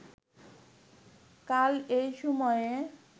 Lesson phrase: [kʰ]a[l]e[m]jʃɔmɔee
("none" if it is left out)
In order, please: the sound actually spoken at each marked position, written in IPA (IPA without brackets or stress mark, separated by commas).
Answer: k, l, none